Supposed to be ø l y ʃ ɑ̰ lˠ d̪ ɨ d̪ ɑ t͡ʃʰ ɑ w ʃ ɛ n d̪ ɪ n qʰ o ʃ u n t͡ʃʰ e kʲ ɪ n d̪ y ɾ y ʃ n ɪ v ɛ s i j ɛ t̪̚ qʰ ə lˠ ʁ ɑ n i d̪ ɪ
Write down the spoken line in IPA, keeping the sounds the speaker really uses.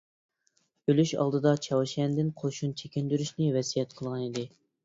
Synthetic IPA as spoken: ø l y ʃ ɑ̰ lˠ d̪ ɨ d̪ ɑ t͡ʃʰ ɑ w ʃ ɛ n d̪ ɪ n qʰ o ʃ u n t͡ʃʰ e kʲ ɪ n d̪ y ɾ y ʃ n ɪ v ɛ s i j ɛ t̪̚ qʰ ə lˠ ʁ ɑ n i d̪ ɪ